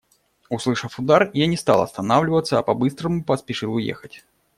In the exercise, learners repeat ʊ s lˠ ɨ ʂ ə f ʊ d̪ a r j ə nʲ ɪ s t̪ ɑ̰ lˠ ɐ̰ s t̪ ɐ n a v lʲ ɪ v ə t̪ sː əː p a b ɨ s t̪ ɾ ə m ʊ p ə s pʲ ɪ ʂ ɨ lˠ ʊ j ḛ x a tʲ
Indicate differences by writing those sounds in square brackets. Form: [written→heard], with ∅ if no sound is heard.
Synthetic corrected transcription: ʊ s lˠ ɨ ʂ ə f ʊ d̪ a r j [ə→a] nʲ ɪ s t̪ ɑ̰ lˠ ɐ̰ s t̪ ɐ n a v lʲ ɪ v ə t̪ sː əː p [a→ɐ] b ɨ s t̪ ɾ ə m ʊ p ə s pʲ ɪ ʂ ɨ lˠ ʊ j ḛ x [a→ə] tʲ

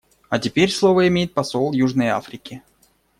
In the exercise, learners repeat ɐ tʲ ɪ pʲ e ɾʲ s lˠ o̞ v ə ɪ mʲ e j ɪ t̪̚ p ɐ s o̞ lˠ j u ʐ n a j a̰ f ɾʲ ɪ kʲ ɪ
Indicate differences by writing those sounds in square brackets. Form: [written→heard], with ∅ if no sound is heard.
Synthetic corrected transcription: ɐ tʲ ɪ pʲ e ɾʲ s lˠ o̞ v ə ɪ mʲ e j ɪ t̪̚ p ɐ s o̞ lˠ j u ʐ n [a→ə] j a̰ f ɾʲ ɪ kʲ ɪ

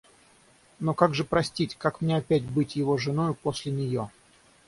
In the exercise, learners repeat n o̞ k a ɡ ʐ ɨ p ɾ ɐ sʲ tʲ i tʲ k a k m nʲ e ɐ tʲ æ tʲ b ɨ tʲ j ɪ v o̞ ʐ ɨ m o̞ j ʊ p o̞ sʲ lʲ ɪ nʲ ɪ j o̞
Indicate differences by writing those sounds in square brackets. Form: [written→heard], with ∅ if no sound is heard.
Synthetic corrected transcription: n o̞ k a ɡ ʐ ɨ p ɾ ɐ sʲ tʲ i tʲ k a k m nʲ e ɐ [tʲ→pʲ] æ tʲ b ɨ tʲ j ɪ v o̞ ʐ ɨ [m→n] o̞ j ʊ p o̞ sʲ lʲ ɪ nʲ ɪ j o̞

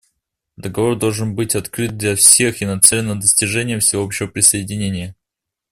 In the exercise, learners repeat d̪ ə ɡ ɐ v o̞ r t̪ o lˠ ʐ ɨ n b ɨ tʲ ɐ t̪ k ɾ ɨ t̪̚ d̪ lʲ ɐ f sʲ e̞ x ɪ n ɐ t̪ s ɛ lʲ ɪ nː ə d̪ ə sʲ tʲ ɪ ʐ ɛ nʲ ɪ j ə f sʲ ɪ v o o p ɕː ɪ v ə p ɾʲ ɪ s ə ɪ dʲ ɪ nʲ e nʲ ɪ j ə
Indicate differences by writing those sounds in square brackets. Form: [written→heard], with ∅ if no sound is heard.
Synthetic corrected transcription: d̪ ə ɡ ɐ v o̞ r [t̪→d̪] o lˠ ʐ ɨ n b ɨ tʲ ɐ t̪ k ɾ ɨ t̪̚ d̪ lʲ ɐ f sʲ e̞ x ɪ n ɐ t̪ s ɛ lʲ ɪ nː ə d̪ ə sʲ tʲ ɪ ʐ ɛ nʲ ɪ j ə f sʲ ɪ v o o p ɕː ɪ v ə p ɾʲ ɪ s ə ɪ dʲ ɪ nʲ e nʲ ɪ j ə

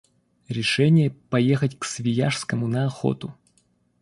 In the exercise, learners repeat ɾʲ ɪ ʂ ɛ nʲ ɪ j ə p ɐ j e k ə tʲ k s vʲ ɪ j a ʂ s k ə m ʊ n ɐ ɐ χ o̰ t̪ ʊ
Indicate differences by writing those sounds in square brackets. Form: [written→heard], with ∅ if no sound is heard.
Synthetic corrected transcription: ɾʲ ɪ ʂ ɛ nʲ ɪ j ə p ɐ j e [k→x] ə tʲ k s vʲ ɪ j a ʂ s k ə m ʊ n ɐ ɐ [χ→x] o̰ t̪ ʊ

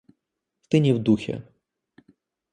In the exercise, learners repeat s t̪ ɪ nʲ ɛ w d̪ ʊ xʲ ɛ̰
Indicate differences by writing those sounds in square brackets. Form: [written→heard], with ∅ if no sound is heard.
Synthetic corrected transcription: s t̪ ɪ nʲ [ɛ→i] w d̪ [ʊ→u] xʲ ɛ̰

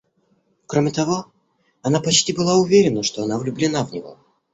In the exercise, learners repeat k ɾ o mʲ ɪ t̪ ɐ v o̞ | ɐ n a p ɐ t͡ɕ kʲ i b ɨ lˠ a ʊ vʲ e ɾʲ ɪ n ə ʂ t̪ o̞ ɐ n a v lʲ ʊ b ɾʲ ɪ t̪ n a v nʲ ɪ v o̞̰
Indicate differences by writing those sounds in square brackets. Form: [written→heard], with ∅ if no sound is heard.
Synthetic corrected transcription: k ɾ o mʲ ɪ t̪ ɐ v o̞ | ɐ n a p ɐ t͡ɕ [kʲ→tʲ] i b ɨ lˠ a ʊ vʲ e ɾʲ ɪ n ə ʂ t̪ o̞ ɐ n a v lʲ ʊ b [ɾʲ→lʲ] ɪ [t̪→∅] n a v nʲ ɪ v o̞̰

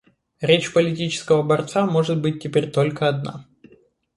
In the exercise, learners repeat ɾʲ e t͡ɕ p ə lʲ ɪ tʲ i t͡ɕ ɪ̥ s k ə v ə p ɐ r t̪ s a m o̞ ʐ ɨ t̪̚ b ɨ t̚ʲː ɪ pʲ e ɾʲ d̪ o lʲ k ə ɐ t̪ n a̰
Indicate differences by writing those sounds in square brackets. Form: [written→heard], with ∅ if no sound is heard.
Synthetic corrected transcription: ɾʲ e t͡ɕ p ə lʲ ɪ tʲ i t͡ɕ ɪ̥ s k ə v ə [p→b] ɐ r t̪ s a m o̞ ʐ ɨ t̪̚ b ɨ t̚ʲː ɪ pʲ e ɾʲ [d̪→t̪] o lʲ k ə ɐ [t̪→d̪] n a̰

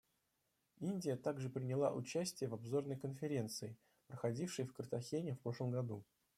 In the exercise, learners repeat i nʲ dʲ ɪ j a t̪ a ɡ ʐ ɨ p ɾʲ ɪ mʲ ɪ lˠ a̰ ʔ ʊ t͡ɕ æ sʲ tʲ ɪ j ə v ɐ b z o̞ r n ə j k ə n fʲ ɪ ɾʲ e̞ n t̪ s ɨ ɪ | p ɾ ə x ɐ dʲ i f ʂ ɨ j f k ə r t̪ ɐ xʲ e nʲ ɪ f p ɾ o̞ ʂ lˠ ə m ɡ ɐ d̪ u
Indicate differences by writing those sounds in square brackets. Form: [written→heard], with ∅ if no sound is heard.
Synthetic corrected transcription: i nʲ dʲ ɪ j [a→ə] t̪ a ɡ ʐ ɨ p ɾʲ ɪ [mʲ→nʲ] ɪ lˠ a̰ ʔ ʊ t͡ɕ æ sʲ tʲ ɪ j ə v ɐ b z o̞ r n ə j k ə n fʲ ɪ ɾʲ e̞ n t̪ s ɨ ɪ | p ɾ ə x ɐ dʲ i f ʂ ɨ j f k ə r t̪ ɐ xʲ e nʲ ɪ f p ɾ o̞ ʂ lˠ ə m ɡ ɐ d̪ u

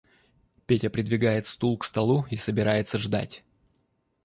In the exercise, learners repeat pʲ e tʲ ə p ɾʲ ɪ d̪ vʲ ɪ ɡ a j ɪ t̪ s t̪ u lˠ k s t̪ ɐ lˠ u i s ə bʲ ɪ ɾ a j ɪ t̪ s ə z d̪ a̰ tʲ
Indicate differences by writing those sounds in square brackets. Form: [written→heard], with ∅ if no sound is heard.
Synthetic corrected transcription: pʲ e tʲ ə p ɾʲ ɪ d̪ vʲ ɪ ɡ a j ɪ t̪ s t̪ u lˠ k s t̪ ɐ lˠ u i s ə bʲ ɪ ɾ a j ɪ t̪ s ə [z→ʐ] d̪ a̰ tʲ

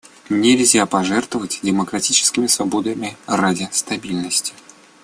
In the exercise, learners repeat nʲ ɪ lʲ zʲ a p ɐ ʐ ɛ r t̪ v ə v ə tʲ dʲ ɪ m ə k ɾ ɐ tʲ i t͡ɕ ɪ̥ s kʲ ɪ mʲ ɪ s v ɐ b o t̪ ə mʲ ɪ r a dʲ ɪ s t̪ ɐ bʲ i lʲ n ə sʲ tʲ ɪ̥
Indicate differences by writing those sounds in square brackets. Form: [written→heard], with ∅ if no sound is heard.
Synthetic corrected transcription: nʲ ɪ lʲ zʲ a p ɐ ʐ ɛ r t̪ v ə v ə tʲ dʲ ɪ m ə k ɾ ɐ tʲ i t͡ɕ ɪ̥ s kʲ ɪ mʲ ɪ s v ɐ b o [t̪→d̪] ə mʲ ɪ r a dʲ ɪ s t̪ ɐ bʲ i lʲ n ə sʲ tʲ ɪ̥

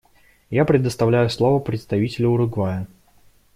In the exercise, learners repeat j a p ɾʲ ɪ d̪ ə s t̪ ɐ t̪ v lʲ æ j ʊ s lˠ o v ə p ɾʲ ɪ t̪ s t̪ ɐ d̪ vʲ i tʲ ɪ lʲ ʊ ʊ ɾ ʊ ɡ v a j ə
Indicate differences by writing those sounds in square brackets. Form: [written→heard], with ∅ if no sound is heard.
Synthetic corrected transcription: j a p ɾʲ ɪ d̪ ə s t̪ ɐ [t̪→∅] v lʲ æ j ʊ s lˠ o v ə p ɾʲ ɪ t̪ s t̪ ɐ [d̪→∅] vʲ i tʲ ɪ lʲ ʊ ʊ ɾ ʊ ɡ v a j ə

